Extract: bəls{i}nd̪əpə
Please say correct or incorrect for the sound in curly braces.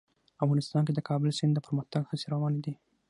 incorrect: ɪ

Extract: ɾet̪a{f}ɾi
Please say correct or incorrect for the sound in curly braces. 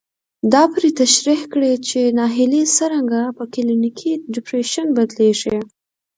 incorrect: ʃ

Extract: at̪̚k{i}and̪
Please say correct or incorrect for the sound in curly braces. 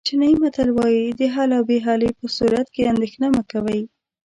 incorrect: e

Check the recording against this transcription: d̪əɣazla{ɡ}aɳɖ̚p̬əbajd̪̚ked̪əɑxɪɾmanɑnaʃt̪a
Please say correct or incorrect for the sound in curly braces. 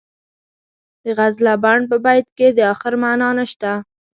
incorrect: b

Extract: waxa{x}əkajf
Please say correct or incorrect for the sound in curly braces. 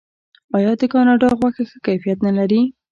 correct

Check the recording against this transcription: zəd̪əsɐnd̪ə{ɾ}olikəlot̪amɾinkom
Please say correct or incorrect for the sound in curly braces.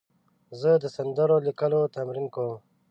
correct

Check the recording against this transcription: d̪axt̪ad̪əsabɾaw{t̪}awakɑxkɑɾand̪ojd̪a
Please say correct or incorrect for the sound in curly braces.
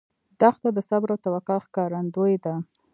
correct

